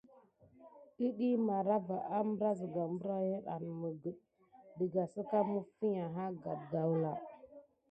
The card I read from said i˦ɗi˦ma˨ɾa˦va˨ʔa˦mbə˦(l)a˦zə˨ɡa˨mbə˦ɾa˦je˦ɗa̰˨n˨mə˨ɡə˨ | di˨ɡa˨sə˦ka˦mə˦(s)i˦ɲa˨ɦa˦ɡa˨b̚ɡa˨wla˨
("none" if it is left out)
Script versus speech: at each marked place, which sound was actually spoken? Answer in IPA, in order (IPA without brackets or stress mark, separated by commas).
ɾ, f